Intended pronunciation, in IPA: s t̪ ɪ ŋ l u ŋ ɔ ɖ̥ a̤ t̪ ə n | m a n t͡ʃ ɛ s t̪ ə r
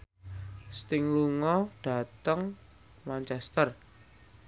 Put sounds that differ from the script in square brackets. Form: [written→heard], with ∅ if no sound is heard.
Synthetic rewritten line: s t̪ ɪ ŋ l u ŋ ɔ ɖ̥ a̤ t̪ ə [n→ŋ] | m a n t͡ʃ ɛ s t̪ ə r

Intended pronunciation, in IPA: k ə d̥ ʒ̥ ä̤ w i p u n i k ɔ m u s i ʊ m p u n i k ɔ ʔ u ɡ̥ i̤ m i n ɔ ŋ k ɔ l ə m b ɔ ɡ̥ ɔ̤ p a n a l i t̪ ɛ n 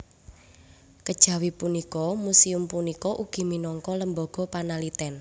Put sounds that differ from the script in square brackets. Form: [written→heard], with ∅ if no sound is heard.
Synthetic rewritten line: k ə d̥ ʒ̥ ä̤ w i p u n i k ɔ m u s i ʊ m p u n i k ɔ ʔ u ɡ̥ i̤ m i n ɔ ŋ k ɔ l ə m b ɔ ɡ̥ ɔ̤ p a n a l i t̪ ɛ n

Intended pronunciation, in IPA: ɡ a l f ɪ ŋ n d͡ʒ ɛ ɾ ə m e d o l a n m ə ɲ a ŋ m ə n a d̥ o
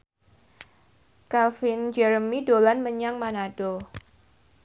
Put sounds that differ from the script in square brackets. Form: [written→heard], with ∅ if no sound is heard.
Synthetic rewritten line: [ɡ→k] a l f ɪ [ŋ→∅] n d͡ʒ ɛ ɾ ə m [e→i] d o l a n m ə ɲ a ŋ m [ə→a] n a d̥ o

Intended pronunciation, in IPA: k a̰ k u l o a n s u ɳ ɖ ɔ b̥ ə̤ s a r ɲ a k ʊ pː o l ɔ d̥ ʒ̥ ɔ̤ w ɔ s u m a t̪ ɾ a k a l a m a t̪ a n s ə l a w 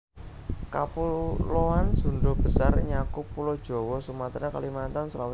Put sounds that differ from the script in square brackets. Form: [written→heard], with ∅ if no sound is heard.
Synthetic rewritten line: k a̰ [k→p] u l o a n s u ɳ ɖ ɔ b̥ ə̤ s a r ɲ a k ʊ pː [o→u] l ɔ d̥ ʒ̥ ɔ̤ w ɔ s u m a t̪ ɾ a k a l [a→i] m a t̪ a n s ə l a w

